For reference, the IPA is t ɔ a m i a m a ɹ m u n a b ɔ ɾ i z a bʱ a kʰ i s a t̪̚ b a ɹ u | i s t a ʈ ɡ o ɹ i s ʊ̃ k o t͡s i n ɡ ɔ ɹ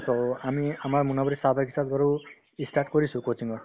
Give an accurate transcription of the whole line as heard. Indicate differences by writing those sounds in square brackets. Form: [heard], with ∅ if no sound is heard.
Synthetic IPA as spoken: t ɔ a m i a m a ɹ m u n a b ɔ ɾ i [s] a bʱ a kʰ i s a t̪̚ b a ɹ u | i s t a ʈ [k] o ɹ i s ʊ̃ k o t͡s i [ŋ] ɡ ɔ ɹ